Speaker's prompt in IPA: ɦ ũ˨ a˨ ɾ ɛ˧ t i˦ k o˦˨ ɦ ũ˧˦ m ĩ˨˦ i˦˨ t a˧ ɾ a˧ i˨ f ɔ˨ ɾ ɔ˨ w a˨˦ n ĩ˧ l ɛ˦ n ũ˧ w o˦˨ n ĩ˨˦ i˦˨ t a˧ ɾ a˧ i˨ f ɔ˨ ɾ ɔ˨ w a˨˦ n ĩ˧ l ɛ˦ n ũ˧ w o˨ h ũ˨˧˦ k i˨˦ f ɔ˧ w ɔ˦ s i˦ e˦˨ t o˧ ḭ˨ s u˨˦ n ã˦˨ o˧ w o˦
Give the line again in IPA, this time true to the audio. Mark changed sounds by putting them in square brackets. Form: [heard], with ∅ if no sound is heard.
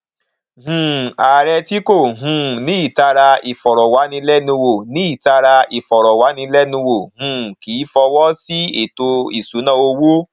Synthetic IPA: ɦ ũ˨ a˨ ɾ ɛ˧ t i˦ k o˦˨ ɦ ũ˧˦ [n] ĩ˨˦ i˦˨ t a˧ ɾ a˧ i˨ f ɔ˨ ɾ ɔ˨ w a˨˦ n ĩ˧ l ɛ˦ n ũ˧ w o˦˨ n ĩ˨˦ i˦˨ t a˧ ɾ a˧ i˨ f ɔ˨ ɾ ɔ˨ w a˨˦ n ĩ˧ l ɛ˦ n ũ˧ w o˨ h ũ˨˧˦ k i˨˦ f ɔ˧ w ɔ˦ s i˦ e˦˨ t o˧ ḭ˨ s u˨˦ n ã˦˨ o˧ w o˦